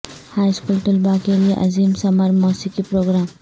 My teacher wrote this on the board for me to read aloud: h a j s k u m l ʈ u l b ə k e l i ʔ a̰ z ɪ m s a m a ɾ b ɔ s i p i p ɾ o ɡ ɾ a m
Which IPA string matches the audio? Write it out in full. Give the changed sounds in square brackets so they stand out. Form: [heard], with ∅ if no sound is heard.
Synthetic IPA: h a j s k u [∅] l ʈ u l b [a] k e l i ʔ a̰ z [i] m s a m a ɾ [m] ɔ s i [k] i p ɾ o ɡ ɾ a m

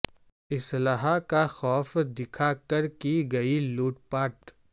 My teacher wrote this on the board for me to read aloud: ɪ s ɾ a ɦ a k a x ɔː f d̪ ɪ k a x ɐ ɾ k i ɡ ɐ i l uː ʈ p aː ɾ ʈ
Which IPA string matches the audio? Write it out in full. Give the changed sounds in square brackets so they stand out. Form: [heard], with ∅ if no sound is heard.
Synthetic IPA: ɪ s [l] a ɦ a k a x ɔː f d̪ ɪ [kʰ] a [k] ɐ ɾ k i ɡ ɐ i l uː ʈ p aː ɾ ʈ

